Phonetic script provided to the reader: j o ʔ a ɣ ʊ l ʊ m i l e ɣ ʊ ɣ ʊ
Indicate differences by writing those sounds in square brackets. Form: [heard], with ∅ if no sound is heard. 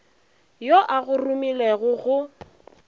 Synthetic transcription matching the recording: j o ʔ a ɣ ʊ [r] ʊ m i l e ɣ ʊ ɣ ʊ

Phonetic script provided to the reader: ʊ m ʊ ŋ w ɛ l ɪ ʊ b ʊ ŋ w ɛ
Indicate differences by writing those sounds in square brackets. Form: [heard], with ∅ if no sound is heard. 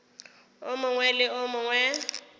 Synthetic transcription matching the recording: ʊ m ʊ ŋ w ɛ l ɪ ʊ [m] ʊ ŋ w ɛ

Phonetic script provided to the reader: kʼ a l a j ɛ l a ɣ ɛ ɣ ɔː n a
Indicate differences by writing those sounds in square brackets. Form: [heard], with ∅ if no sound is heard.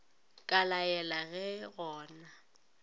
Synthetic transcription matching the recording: kʼ a l a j ɛ l a ɣ ɛ ɣ ɔː n a

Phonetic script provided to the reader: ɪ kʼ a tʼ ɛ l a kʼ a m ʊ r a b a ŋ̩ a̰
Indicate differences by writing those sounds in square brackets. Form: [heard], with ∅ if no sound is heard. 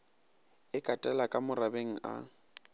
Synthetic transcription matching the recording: ɪ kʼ a tʼ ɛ l a kʼ a m ʊ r a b [e] ŋ̩ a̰

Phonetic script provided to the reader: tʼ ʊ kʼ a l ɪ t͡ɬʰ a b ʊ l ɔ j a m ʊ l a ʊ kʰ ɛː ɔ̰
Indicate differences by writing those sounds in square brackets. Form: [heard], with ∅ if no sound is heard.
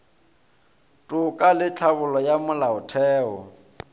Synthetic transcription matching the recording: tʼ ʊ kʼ a l ɪ t͡ɬʰ a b ʊ l ɔ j a m ʊ l a ʊ [tʰ] ɛː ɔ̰

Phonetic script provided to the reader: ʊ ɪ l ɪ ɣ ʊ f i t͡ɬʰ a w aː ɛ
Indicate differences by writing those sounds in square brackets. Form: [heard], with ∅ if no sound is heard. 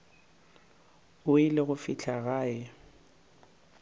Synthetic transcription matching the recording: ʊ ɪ l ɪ ɣ ʊ f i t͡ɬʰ a [ɣ] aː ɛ

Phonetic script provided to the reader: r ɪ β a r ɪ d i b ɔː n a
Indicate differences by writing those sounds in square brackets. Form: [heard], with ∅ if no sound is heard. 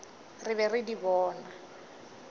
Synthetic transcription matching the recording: r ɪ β [ɛ] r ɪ d i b ɔː n a

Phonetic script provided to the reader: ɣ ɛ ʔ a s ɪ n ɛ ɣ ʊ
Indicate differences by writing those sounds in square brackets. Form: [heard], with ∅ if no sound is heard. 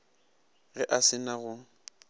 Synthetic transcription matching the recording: ɣ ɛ ʔ a s ɪ n [a] ɣ ʊ

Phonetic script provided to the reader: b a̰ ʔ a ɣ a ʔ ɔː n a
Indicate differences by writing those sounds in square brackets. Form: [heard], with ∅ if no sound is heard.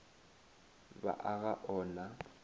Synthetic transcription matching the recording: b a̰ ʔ a ɣ a ʔ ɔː n a

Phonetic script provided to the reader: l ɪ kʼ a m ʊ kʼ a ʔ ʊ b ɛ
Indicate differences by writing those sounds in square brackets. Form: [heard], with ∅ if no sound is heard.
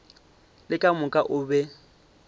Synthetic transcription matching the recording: l ɪ kʼ a m ʊ kʼ a ʔ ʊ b ɛ

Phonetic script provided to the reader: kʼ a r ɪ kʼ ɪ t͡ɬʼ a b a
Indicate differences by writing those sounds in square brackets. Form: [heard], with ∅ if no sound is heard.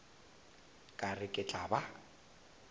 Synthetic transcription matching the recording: kʼ a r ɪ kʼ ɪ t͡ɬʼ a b a

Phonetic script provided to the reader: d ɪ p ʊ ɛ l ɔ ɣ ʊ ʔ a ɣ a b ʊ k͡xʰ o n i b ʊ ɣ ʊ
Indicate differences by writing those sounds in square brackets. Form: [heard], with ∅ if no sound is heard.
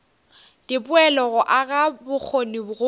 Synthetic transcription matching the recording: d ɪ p ʊ ɛ l ɔ ɣ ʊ ʔ a ɣ a b ʊ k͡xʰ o n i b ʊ ɣ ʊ

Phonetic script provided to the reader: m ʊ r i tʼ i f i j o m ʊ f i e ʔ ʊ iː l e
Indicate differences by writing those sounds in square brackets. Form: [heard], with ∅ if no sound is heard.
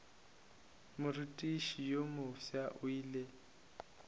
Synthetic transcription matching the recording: m ʊ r i tʼ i [ʃ] i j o m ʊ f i [a] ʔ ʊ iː l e

